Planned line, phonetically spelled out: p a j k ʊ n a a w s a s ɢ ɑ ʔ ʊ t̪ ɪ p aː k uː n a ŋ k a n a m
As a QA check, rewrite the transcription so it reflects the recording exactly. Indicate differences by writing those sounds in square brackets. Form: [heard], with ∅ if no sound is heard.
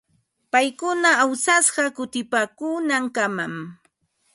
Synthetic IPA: p a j k ʊ n a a w s a s ɢ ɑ [k] ʊ t̪ ɪ p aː k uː n a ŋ k a [m] a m